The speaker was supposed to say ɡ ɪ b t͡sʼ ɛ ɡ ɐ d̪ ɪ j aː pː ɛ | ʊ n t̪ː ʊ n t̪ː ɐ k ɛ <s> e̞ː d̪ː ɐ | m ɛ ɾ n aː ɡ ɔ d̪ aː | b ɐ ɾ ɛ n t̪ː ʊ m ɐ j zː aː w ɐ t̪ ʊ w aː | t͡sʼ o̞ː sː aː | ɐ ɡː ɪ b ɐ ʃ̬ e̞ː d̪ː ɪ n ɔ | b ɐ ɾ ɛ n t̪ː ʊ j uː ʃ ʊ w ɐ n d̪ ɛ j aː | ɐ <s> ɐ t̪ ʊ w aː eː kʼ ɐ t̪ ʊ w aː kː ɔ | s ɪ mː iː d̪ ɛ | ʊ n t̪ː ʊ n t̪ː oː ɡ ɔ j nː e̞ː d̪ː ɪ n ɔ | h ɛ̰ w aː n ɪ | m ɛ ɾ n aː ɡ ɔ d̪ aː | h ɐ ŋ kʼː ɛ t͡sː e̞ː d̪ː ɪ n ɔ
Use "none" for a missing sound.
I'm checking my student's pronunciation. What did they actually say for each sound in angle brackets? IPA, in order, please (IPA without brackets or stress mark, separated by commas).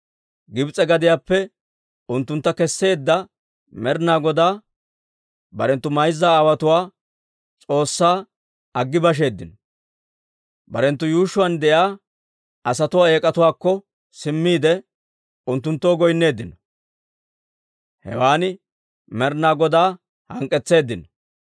sː, s